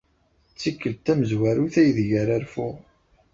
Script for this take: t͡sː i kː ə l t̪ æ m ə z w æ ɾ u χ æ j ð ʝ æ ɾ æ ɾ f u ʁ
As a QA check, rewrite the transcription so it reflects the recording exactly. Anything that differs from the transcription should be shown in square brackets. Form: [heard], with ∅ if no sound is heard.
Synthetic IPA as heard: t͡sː i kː ə l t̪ æ m ə z w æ ɾ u [θ] æ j ð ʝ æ ɾ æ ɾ f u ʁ